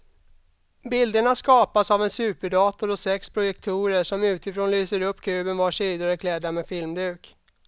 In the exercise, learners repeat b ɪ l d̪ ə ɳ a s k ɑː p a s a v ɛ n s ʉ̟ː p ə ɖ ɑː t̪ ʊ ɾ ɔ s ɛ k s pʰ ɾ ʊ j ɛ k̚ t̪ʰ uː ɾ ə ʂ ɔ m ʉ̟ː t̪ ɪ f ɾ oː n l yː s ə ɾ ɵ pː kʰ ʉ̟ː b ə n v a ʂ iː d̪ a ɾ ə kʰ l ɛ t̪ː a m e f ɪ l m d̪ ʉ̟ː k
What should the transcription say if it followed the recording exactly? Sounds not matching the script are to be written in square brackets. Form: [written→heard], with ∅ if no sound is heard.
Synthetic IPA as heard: b ɪ l d̪ ə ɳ a s k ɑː p a s a v ɛ n s ʉ̟ː p ə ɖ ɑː t̪ ʊ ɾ ɔ s ɛ k s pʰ ɾ ʊ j ɛ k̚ t̪ʰ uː ɾ ə ʂ ɔ m ʉ̟ː t̪ ɪ f ɾ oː n l yː s ə ɾ ɵ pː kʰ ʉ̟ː b ə n v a ʂ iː d̪ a ɾ ə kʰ l ɛ [t̪ː→d̪ː] a m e f ɪ l m d̪ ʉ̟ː k